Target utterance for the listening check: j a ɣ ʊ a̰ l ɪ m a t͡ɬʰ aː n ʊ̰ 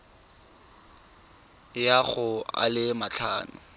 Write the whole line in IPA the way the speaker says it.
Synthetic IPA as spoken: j a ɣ ʊ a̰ l ɪ m a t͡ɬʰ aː n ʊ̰